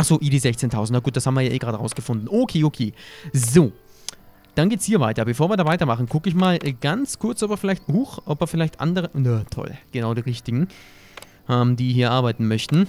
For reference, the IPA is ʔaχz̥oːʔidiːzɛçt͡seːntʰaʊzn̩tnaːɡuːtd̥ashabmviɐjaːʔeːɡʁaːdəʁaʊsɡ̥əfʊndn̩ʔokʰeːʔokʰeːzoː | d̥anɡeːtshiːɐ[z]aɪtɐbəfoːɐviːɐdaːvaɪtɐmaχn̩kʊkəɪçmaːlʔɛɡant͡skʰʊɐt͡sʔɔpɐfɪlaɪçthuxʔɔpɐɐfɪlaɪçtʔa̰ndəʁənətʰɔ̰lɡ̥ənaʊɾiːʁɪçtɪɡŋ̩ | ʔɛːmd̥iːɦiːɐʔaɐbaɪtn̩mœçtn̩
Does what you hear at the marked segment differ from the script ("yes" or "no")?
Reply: yes